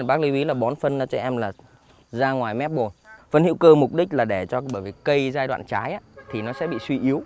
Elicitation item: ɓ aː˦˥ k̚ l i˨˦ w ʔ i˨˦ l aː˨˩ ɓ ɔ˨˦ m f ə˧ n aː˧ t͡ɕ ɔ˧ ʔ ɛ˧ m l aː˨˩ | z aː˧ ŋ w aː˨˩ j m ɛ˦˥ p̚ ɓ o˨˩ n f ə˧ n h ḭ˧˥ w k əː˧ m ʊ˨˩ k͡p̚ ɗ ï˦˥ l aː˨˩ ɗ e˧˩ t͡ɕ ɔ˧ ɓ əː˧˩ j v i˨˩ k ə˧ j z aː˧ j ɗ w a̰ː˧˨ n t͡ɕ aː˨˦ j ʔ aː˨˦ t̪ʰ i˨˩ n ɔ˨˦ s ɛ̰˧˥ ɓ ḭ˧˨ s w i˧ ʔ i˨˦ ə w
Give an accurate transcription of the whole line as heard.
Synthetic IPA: ɓ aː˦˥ k̚ l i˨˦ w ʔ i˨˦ l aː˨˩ ɓ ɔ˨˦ n f ə˧ n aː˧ t͡ɕ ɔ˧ ʔ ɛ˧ m l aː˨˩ | z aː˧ ŋ w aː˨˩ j m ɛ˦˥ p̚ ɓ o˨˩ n f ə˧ n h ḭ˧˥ w k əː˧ m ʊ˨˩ k͡p̚ ɗ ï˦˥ l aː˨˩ ɗ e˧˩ t͡ɕ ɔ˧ ɓ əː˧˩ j v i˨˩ k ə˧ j z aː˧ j ɗ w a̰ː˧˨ n t͡ɕ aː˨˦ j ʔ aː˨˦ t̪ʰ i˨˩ n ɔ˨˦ s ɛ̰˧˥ ɓ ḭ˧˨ s w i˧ ʔ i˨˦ ə w

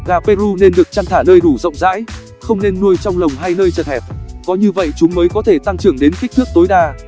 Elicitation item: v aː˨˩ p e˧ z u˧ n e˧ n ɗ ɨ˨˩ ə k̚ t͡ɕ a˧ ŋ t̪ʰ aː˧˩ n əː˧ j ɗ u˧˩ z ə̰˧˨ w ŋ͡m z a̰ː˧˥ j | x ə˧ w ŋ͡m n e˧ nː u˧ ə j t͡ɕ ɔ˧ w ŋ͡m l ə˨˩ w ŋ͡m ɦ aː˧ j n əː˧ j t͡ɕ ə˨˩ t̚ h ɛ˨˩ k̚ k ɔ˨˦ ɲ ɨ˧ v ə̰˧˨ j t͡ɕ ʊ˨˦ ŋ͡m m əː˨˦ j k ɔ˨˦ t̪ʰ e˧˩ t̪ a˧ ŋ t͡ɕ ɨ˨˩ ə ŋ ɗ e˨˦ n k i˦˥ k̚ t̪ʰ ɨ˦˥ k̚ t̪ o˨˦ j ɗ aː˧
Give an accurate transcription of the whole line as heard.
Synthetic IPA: ɣ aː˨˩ p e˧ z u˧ n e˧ n ɗ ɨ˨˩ ə k̚ t͡ɕ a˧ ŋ t̪ʰ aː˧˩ n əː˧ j ɗ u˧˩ z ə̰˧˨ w ŋ͡m z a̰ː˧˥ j | x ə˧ w ŋ͡m n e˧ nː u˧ ə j t͡ɕ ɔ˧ w ŋ͡m l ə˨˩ w ŋ͡m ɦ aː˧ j n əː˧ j t͡ɕ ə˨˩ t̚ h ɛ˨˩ p̚ k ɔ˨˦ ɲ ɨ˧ v ə̰˧˨ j t͡ɕ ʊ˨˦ ŋ͡m m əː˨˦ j k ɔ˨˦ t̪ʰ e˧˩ t̪ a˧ ŋ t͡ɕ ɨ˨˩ ə ŋ ɗ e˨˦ n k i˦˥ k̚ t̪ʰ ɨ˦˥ k̚ t̪ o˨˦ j ɗ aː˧

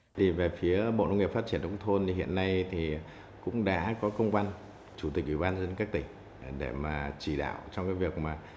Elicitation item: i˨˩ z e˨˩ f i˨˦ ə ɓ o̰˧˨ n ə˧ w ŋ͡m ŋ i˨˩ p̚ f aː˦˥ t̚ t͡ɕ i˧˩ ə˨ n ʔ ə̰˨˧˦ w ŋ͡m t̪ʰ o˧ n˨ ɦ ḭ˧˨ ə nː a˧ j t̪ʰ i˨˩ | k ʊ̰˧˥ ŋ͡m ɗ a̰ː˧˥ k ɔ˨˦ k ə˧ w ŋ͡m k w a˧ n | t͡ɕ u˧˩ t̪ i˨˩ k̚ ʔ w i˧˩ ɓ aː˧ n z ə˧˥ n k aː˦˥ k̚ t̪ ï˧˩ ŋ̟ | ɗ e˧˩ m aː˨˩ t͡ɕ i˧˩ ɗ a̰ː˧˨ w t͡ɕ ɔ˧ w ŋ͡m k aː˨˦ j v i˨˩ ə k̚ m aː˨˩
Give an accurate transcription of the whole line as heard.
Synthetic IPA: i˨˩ v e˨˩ f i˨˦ ə ɓ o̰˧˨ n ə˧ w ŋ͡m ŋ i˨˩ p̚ f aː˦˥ t̚ t͡ɕ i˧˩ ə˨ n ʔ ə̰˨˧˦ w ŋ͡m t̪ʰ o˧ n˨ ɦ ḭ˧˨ ə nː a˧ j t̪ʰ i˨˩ | k ʊ̰˧˥ ŋ͡m ɗ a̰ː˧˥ k ɔ˨˦ k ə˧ w ŋ͡m k w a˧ n | t͡ɕ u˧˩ t̪ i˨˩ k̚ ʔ w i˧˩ ɓ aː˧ n z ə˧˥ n k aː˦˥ k̚ t̪ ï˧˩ ŋ̟ | ɗ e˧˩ m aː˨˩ t͡ɕ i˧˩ ɗ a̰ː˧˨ w t͡ɕ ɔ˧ w ŋ͡m k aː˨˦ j v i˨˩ ə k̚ m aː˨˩

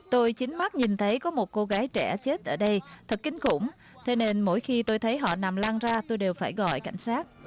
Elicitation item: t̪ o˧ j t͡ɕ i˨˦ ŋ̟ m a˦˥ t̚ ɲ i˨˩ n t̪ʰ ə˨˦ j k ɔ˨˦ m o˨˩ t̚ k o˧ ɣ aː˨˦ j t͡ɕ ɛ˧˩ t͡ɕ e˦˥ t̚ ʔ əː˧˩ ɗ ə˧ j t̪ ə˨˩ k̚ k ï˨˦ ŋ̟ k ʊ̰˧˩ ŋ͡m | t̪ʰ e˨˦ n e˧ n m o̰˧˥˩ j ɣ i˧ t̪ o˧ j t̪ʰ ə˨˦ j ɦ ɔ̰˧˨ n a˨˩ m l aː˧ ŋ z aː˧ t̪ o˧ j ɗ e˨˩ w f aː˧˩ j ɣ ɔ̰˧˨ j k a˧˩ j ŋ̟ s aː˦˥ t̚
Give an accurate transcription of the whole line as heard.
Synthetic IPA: t̪ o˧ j t͡ɕ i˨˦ ŋ̟ m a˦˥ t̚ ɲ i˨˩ n t̪ʰ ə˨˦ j k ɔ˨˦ m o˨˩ t̚ k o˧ ɣ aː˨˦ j t͡ɕ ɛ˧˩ t͡ɕ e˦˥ t̚ ʔ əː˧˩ ɗ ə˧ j t̪ʰ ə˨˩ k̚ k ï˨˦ ŋ̟ k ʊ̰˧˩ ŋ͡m | t̪ʰ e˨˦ n e˧ n m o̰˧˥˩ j x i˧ t̪ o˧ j t̪ʰ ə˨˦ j ɦ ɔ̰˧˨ n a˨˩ m l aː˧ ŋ z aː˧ t̪ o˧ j ɗ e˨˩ w f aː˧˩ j ɣ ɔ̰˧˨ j k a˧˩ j ŋ̟ s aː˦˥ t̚

